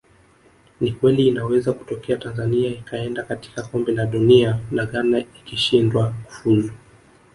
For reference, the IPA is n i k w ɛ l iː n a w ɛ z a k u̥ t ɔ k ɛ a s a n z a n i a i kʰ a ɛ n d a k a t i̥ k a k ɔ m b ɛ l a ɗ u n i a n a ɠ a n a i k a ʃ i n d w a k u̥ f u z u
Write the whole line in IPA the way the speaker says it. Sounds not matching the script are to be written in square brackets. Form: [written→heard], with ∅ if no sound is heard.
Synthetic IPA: n i k w ɛ l iː n a w ɛ z a k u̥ t ɔ k ɛ a [s→t] a n z a n i a i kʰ a ɛ n d a k a t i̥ k a k ɔ m b ɛ l a ɗ u n i a n a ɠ a n a i k [a→i] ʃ i n d w a k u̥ f u z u